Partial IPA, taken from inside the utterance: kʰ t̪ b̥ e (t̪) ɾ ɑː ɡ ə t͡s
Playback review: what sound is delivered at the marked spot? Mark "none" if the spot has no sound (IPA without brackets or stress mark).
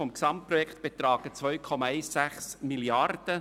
t̪